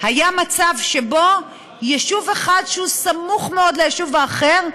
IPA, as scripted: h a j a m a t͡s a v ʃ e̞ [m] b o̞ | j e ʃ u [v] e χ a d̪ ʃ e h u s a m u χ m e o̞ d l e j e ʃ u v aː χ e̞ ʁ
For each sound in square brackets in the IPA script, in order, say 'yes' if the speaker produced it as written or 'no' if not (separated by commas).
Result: no, yes